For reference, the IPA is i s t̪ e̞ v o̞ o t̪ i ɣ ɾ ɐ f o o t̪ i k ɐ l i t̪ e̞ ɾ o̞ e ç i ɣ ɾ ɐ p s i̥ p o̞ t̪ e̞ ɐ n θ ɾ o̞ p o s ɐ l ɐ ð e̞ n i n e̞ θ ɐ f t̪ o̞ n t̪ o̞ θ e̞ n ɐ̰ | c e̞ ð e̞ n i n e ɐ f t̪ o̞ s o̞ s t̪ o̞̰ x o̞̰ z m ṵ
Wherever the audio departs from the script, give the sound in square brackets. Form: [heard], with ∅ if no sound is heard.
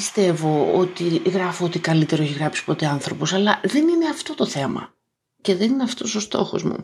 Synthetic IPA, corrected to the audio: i s t̪ e̞ v o̞ o t̪ i ɣ ɾ ɐ f o o t̪ i k ɐ l i t̪ e̞ ɾ o̞ e ç i ɣ ɾ ɐ p s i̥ p o̞ t̪ e̞ ɐ n θ ɾ o̞ p o s ɐ l ɐ ð e̞ n i n e̞ [∅] ɐ f t̪ o̞ [∅] t̪ o̞ θ e̞ [m] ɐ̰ | c e̞ ð e̞ n i n e ɐ f t̪ o̞ s o̞ s t̪ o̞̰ x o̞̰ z m ṵ